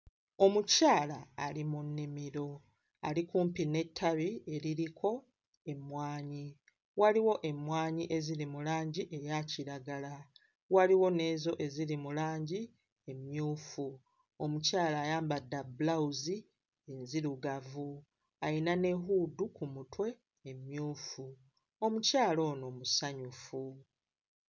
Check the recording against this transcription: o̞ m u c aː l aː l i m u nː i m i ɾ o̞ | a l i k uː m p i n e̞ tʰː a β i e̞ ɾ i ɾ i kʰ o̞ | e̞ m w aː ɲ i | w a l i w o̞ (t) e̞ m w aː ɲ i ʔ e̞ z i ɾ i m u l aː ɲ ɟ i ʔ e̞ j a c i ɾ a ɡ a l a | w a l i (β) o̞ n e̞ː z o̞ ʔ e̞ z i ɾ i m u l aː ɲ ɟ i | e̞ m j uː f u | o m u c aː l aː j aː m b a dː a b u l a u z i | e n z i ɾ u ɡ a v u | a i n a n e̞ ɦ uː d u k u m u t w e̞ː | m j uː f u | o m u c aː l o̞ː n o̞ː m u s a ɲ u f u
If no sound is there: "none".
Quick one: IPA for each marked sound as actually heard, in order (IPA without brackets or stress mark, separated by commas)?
ʔ, w